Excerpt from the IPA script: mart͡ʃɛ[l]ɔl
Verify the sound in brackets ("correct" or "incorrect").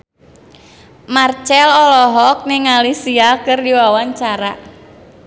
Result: correct